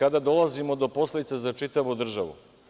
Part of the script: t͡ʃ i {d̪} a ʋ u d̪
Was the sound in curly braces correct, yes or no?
no